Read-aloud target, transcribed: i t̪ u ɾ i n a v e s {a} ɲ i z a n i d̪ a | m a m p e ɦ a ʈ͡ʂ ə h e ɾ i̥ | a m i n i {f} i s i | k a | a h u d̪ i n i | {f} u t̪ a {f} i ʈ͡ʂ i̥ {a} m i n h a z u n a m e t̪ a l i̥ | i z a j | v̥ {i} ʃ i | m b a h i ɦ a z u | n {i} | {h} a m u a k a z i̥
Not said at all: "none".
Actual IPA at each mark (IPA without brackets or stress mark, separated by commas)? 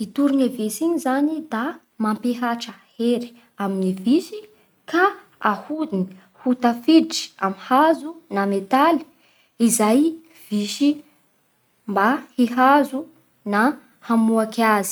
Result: i, v, h, f, a, i, a, h